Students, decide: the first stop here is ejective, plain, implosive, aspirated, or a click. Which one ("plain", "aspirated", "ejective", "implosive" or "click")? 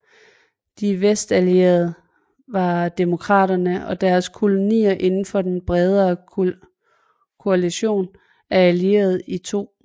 plain